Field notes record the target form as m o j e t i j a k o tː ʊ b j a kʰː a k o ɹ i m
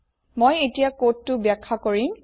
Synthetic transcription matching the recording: m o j e t i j a k o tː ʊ b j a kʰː a k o ɹ i m

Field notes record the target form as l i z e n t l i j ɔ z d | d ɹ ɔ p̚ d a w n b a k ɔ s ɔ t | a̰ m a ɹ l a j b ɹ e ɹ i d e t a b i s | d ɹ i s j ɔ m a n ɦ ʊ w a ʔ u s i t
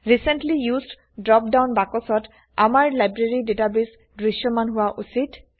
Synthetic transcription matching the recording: ɹ i s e n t l i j u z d | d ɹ ɔ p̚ d a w n b a k ɔ s ɔ t | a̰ m a ɹ l a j b ɹ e ɹ i d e t a b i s | d ɹ i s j ɔ m a n ɦ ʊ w a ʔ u s i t

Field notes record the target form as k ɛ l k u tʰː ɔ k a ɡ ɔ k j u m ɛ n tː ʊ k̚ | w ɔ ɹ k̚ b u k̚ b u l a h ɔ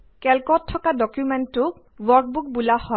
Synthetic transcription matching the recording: k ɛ l k ɔ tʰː ɔ k a d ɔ k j u m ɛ n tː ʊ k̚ | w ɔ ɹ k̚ b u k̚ b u l a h ɔ

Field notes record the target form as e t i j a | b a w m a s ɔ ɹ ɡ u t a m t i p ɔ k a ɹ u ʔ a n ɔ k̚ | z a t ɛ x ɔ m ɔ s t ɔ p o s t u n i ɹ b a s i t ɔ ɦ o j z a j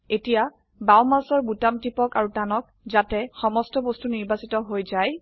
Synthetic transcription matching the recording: e t i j a | b a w m a s ɔ ɹ b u t a m t i p ɔ k a ɹ u t a n ɔ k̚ | z a t ɛ x ɔ m ɔ s t ɔ b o s t u n i ɹ b a s i t ɔ ɦ o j z a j

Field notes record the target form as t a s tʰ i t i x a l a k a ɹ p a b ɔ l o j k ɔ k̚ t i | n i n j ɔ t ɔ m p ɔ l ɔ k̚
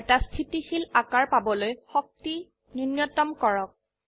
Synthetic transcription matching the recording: t a s tʰ i t i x i l a k a ɹ p a b ɔ l o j x ɔ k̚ t i | n i n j ɔ t ɔ m k ɔ ɹ ɔ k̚

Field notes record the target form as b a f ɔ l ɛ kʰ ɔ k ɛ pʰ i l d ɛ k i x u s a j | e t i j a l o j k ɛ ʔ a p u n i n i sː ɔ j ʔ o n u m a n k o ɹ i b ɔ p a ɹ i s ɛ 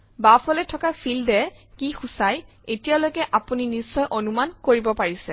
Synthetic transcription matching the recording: b a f ɔ l ɛ tʰ ɔ k a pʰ i l d ɛ k i x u s a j | e t i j a l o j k ɛ ʔ a p u n i n i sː ɔ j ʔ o n u m a n k o ɹ i b ɔ p a ɹ i s ɛ

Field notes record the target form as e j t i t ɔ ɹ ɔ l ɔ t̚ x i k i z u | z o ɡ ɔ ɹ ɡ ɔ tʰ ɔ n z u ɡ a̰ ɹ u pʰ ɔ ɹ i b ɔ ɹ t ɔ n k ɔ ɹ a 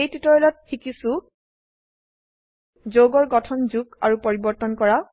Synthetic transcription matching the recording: e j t i t ɔ ɹ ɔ l ɔ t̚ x i k i s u | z o ɡ ɔ ɹ ɡ ɔ tʰ ɔ n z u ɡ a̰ ɹ u p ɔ ɹ i b ɔ ɹ t ɔ n k ɔ ɹ a

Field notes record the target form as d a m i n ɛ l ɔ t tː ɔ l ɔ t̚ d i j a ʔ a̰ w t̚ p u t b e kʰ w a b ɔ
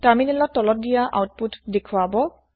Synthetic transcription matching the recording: t a m i n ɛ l ɔ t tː ɔ l ɔ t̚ d i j a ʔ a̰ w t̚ p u t d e kʰ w a b ɔ

